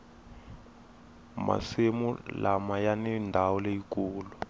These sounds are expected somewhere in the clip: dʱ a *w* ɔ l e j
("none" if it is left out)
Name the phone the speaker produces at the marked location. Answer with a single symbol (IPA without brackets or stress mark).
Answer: w